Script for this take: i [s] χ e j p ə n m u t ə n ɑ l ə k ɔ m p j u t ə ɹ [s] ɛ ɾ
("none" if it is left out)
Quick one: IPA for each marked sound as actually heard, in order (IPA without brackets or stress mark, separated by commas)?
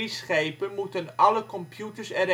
s, s